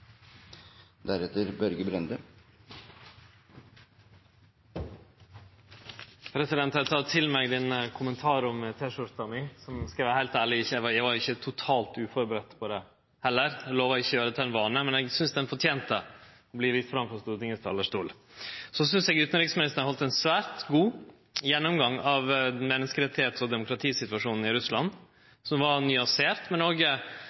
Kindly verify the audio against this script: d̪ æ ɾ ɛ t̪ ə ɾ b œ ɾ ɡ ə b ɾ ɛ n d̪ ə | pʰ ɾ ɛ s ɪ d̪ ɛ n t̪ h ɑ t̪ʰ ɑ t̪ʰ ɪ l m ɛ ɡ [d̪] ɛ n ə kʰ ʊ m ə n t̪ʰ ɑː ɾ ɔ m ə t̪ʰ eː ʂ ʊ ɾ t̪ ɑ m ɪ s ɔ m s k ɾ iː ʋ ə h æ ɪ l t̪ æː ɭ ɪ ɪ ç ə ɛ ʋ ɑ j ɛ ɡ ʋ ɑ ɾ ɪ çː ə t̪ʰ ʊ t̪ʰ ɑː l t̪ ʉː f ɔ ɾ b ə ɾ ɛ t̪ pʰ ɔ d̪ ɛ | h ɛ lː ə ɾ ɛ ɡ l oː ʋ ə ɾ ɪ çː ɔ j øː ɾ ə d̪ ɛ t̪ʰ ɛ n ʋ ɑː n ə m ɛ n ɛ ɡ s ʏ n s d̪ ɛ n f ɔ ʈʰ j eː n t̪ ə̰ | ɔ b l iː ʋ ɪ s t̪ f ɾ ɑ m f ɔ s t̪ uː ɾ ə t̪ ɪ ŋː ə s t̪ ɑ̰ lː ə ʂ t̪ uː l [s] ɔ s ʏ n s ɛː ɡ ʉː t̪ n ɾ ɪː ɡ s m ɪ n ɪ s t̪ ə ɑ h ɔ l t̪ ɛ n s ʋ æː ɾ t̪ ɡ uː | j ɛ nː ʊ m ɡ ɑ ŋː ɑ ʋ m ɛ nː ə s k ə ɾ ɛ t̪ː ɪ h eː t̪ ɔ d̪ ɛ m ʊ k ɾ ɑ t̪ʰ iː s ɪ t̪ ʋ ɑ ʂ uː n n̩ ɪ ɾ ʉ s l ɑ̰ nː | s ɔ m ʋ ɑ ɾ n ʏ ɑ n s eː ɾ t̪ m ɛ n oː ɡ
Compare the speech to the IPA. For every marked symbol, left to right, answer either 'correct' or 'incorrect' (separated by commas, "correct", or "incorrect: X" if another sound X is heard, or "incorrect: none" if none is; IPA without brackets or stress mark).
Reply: correct, correct